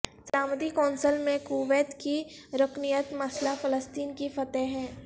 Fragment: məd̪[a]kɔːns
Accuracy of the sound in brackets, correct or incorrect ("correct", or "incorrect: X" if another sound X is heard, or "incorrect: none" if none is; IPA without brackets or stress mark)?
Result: incorrect: i